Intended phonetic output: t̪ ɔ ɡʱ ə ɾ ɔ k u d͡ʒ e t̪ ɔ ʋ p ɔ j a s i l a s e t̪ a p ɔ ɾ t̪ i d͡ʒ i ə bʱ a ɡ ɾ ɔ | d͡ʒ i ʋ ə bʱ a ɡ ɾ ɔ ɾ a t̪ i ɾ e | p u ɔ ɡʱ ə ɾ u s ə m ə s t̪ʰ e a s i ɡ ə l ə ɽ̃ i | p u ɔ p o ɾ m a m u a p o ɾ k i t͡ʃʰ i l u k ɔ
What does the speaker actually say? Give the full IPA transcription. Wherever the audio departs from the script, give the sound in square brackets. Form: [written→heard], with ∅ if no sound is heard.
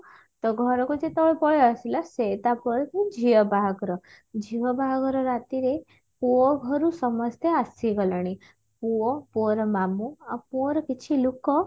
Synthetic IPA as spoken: t̪ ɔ ɡʱ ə ɾ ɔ k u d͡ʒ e t̪ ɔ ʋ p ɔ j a s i l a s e t̪ a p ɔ ɾ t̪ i d͡ʒ i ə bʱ a ɡ ɾ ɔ | d͡ʒ i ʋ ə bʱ a ɡ ɾ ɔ ɾ a t̪ i ɾ e | p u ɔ ɡʱ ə ɾ u s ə m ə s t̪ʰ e a s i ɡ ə l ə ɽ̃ i | p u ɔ p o ɾ m a m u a p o ɾ k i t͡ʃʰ i l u k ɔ

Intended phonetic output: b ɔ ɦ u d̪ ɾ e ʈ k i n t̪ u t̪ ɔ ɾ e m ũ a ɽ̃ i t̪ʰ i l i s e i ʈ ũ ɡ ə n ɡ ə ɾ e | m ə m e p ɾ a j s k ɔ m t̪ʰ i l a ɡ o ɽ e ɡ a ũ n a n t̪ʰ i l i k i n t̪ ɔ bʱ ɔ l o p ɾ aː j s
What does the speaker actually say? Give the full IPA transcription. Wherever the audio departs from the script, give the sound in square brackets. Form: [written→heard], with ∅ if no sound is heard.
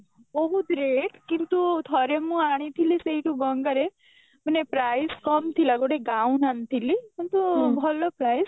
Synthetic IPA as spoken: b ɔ ɦ u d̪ ɾ e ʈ k i n t̪ u [t̪→t̪ʰ] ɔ ɾ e m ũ a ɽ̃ i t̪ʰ i l i s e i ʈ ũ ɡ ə [n→ŋ] ɡ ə ɾ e | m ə [m→n] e p ɾ a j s k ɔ m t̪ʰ i l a ɡ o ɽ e ɡ a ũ n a n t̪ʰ i l i k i n t̪ [ɔ→u] bʱ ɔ l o p ɾ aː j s

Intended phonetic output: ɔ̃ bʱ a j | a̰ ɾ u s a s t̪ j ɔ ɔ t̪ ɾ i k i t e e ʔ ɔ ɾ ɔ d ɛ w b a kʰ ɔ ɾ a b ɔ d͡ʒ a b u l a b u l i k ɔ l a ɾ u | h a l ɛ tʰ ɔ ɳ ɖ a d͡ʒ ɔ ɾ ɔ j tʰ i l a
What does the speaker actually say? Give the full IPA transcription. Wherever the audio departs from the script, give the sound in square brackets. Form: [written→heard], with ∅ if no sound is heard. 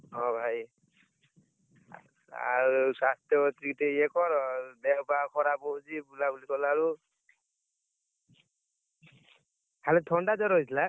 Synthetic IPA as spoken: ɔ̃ bʱ a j | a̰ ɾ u s a s t̪ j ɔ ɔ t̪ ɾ i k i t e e [ʔ→k] ɔ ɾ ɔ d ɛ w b a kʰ ɔ ɾ a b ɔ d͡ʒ [a→i] b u l a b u l i k ɔ l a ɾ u | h a l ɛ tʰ ɔ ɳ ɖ a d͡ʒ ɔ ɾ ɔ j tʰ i l a

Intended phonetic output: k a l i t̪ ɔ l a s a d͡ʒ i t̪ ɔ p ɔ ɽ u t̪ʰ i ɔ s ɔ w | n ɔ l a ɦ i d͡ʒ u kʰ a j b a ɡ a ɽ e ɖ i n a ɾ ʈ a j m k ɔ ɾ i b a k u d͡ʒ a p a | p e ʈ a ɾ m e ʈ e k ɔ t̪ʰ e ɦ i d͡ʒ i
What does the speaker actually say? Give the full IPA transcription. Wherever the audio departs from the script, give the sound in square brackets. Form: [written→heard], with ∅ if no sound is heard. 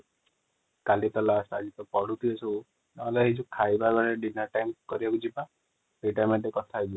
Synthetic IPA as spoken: k a l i t̪ ɔ l a s a d͡ʒ i t̪ ɔ p ɔ ɽ u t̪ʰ i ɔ s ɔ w | n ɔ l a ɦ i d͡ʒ u kʰ a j b a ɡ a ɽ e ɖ i n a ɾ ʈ a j m k ɔ ɾ i b a k u d͡ʒ [a→i] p a | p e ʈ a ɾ m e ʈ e k ɔ t̪ʰ [e→a] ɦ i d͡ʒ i

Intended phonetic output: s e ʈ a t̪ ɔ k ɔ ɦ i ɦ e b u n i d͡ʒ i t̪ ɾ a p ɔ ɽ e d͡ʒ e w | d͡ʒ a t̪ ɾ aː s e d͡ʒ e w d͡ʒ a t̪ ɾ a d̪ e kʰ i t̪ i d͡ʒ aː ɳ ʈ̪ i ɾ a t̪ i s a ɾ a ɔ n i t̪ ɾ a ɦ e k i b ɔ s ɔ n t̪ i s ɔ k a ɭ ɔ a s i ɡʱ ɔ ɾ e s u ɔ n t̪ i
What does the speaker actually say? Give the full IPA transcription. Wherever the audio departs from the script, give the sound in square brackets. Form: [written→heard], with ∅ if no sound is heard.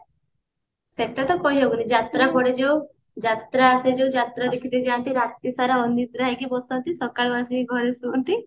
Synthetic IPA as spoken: s e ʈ a t̪ ɔ k ɔ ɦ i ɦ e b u n i d͡ʒ [i→a] t̪ ɾ a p ɔ ɽ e d͡ʒ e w | d͡ʒ a t̪ ɾ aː s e d͡ʒ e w d͡ʒ a t̪ ɾ a d̪ e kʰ i t̪ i d͡ʒ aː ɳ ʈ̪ i ɾ a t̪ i s a ɾ a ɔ n i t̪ ɾ a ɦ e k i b ɔ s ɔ n t̪ i s ɔ k a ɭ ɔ a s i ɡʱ ɔ ɾ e s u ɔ n t̪ i

